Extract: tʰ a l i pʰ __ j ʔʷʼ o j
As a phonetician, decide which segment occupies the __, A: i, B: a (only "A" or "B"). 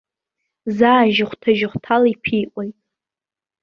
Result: A